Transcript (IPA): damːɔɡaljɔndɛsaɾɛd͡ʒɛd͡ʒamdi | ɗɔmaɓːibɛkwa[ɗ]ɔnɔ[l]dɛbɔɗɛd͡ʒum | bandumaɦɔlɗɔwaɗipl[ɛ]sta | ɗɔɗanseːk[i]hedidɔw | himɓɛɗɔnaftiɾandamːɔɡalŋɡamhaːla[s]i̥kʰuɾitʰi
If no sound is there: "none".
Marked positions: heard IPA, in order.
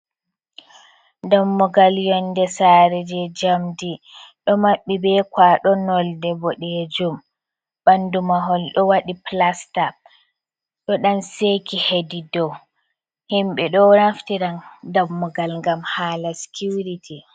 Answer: ɗ, l, a, i, s

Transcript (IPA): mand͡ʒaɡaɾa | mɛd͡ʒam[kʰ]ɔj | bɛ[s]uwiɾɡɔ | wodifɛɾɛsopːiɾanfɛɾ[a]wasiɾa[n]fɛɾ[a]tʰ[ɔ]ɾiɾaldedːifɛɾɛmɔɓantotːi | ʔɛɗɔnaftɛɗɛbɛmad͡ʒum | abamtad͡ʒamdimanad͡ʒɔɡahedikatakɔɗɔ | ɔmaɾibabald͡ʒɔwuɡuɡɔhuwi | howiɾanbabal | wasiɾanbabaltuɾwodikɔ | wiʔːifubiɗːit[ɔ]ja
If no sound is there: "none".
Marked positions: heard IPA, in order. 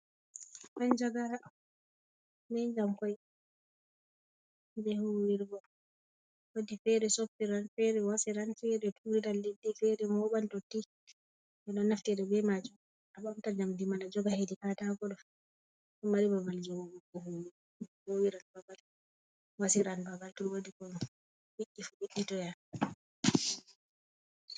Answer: k, h, ɛ, n, ɛ, u, ɔ

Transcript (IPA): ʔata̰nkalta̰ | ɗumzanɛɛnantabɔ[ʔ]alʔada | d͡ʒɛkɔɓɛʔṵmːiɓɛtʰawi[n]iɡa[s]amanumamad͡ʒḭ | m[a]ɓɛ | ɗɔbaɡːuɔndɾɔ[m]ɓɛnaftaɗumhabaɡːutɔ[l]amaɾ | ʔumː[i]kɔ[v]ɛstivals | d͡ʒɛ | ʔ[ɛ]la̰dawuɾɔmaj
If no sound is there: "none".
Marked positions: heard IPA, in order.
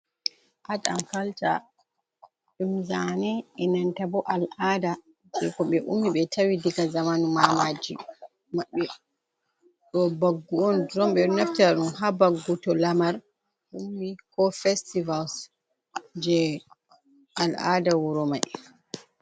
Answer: ʔ, d, z, a, m, l, i, f, a

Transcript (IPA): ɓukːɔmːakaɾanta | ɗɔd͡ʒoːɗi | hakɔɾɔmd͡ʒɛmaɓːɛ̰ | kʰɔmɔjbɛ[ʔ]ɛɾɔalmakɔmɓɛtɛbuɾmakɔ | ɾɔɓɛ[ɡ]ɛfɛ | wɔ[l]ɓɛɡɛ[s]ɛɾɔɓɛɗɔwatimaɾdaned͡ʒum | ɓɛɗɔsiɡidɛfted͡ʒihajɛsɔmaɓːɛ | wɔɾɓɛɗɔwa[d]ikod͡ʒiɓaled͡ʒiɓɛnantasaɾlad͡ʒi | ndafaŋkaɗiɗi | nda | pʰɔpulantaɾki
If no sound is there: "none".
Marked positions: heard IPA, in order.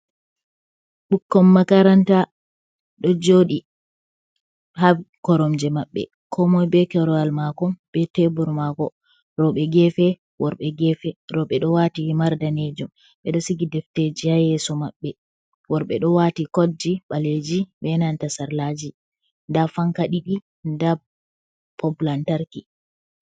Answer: k, ɡ, ɾ, f, t

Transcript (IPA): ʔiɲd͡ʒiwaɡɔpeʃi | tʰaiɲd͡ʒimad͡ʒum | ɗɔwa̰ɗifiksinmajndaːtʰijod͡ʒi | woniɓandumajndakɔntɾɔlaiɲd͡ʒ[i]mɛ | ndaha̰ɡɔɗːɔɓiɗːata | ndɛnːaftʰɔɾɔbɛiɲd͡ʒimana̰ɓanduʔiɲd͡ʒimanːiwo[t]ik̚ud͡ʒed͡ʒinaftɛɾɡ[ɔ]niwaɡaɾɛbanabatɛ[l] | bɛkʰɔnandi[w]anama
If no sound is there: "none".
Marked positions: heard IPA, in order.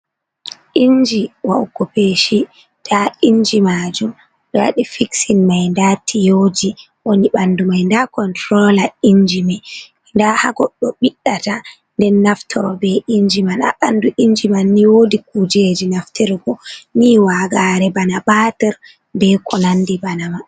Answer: i, d, ɔ, ɾ, b

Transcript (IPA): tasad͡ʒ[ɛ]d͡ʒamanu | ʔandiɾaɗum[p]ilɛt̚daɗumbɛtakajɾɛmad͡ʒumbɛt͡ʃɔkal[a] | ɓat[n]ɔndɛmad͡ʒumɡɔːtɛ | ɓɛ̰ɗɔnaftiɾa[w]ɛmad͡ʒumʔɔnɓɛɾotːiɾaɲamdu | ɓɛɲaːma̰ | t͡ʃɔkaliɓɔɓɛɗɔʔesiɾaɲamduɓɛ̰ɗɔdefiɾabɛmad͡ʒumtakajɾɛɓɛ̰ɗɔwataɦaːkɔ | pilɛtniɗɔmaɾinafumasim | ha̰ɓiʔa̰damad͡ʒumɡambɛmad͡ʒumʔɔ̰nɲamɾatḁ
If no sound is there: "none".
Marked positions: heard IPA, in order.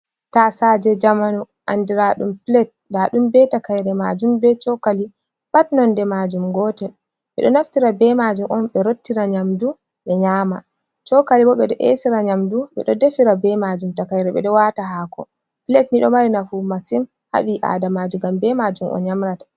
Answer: ɛ, p, i, n, b

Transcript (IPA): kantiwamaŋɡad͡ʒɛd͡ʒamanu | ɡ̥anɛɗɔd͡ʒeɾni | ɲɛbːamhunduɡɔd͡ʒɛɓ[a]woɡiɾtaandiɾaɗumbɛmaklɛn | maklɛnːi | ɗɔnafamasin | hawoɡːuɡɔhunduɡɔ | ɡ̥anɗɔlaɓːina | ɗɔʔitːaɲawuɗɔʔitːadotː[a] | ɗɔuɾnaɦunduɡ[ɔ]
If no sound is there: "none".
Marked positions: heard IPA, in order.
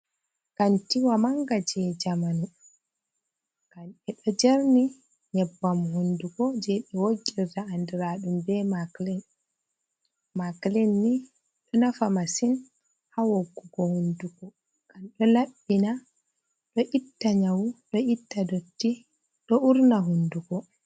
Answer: ɛ, i, ɔ

